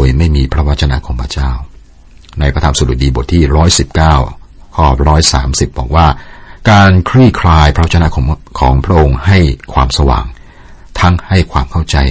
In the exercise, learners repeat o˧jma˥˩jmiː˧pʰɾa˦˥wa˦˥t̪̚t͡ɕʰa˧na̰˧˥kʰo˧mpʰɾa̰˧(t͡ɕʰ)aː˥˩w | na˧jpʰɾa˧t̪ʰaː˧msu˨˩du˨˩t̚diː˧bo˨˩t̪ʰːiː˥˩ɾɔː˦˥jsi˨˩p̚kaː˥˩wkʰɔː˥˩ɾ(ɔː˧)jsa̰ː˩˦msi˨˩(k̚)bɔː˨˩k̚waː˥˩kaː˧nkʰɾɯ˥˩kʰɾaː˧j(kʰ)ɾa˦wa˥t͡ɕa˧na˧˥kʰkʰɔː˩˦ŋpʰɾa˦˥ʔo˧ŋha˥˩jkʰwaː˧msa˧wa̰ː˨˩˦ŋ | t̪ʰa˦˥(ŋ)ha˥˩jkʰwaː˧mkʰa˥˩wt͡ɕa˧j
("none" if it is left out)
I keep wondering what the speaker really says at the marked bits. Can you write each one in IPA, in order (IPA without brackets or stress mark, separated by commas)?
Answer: t͡ɕ, ɔː˦˥, p̚, pʰ, ŋ